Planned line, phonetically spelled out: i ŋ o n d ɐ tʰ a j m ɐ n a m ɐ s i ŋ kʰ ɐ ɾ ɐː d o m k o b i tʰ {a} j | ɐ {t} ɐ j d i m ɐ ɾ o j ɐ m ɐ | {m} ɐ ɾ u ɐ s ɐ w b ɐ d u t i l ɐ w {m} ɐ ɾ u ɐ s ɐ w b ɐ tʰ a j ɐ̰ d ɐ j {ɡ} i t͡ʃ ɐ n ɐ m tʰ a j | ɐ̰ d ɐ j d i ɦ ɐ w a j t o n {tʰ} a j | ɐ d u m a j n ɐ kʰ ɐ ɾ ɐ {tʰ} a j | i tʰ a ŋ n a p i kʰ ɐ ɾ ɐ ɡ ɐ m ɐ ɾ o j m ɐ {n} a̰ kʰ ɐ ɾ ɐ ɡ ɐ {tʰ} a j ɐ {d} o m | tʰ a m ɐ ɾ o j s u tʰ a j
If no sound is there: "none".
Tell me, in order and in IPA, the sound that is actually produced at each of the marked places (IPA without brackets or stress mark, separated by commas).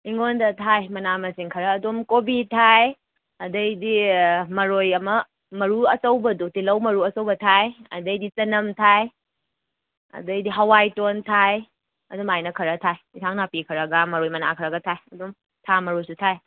a, d, m, m, d, tʰ, tʰ, n, tʰ, d